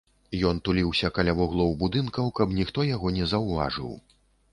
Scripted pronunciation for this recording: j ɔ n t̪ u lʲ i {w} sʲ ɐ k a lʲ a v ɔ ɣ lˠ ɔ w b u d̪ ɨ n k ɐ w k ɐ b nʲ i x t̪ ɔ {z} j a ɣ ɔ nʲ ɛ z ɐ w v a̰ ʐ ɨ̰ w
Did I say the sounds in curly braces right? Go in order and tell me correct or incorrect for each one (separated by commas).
correct, incorrect